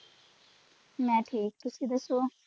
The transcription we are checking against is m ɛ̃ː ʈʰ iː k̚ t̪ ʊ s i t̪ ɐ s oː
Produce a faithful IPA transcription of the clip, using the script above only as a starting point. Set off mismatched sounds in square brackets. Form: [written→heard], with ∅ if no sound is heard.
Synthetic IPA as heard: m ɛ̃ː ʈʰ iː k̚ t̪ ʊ s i [t̪→d̪] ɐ s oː